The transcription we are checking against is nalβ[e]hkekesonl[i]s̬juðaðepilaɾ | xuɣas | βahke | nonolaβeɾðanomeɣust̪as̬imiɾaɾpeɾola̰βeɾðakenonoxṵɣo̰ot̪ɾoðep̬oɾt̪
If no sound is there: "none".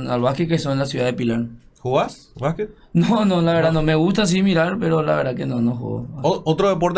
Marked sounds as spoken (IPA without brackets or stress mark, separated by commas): a, a